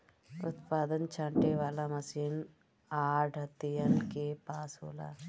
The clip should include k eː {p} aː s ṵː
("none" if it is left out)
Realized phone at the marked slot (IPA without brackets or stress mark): p